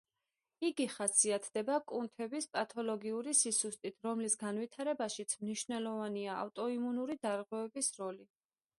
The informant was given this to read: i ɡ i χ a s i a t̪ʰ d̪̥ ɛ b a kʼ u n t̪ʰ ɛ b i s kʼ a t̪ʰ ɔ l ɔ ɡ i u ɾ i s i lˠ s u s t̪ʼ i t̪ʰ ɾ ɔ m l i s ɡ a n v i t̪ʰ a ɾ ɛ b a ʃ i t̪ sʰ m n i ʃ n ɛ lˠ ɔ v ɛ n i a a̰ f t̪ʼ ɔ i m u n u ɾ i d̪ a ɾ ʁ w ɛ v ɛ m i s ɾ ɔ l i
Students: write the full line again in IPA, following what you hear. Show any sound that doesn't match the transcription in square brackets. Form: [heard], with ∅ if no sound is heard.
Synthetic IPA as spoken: i ɡ i χ a s i a t̪ʰ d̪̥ ɛ b a kʼ u n t̪ʰ ɛ b i s [pʼ] a t̪ʰ ɔ l ɔ ɡ i u ɾ i s i [∅] s u s t̪ʼ i t̪ʰ ɾ ɔ m l i s ɡ a n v i t̪ʰ a ɾ ɛ b a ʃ i t̪ sʰ m n i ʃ n ɛ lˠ ɔ v [a] n i a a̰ f t̪ʼ ɔ i m u n u ɾ i d̪ a ɾ ʁ w ɛ v ɛ [b] i s ɾ ɔ l i